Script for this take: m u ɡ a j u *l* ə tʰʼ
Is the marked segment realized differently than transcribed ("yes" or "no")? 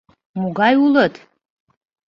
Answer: no